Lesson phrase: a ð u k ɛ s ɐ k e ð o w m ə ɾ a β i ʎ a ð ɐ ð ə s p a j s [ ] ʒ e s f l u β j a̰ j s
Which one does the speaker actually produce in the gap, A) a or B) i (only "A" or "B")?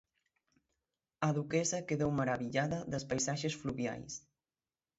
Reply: A